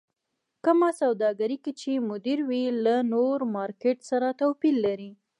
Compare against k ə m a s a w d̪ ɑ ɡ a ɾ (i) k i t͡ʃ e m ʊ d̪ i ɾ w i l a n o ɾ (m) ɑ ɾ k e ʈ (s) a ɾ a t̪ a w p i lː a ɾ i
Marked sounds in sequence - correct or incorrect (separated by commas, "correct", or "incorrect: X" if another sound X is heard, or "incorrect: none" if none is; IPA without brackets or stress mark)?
correct, correct, correct